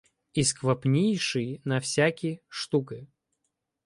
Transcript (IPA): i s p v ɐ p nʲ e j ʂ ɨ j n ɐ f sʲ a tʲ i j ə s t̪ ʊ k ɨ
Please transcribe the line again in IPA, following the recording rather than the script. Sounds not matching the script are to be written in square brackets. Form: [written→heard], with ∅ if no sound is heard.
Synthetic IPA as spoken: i s [p→k] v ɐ p nʲ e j ʂ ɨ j n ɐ f sʲ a [tʲ→kʲ] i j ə [s→ʂ] t̪ [ʊ→u] k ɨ